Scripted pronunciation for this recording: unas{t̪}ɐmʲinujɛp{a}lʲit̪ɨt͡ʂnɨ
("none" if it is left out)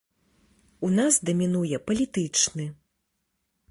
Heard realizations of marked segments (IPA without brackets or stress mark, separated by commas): d̪, ɐ